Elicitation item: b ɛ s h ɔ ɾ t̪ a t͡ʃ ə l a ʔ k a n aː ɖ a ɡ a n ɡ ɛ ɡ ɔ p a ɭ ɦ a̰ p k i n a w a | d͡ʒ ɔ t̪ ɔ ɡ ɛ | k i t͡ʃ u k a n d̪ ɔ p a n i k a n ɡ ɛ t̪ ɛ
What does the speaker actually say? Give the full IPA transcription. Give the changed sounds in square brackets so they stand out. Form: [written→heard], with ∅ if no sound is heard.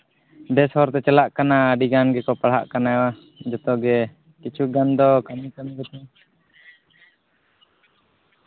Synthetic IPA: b ɛ s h ɔ ɾ t̪ [a→ɛ] t͡ʃ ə l a ʔ k a n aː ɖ [a→i] ɡ a n ɡ ɛ [ɡ→k] ɔ p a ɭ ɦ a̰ [p→ʔ] k [i→a] n a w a | d͡ʒ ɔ t̪ ɔ ɡ ɛ | k i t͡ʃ u [k→ɡ] a n d̪ ɔ [p→k] a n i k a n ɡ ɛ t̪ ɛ